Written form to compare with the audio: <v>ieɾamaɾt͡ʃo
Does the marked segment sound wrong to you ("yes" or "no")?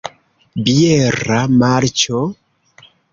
yes